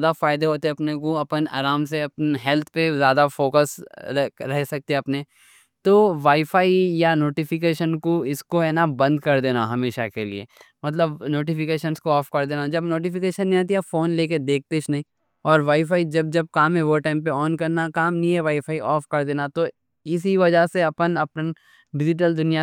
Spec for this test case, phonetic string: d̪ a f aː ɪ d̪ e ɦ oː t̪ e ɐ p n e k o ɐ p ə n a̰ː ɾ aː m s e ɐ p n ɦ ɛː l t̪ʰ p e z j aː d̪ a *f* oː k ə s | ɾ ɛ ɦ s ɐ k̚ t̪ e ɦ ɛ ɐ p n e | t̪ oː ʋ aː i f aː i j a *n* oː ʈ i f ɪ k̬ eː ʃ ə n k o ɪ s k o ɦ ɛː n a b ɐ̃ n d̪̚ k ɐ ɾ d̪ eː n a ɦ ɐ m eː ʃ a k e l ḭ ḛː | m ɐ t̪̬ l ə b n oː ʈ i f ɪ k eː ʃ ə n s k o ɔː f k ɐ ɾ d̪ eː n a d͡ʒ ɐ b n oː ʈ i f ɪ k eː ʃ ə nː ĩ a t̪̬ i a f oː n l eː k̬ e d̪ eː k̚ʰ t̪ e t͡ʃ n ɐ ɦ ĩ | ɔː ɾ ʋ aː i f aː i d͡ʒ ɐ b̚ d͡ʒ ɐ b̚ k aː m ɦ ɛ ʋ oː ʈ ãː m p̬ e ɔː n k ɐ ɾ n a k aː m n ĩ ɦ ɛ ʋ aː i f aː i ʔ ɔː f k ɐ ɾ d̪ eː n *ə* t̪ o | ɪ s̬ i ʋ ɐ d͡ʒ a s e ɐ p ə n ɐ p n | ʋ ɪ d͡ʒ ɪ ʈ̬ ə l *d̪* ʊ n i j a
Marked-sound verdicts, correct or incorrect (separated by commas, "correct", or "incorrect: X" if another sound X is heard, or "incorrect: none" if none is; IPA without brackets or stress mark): correct, correct, incorrect: a, correct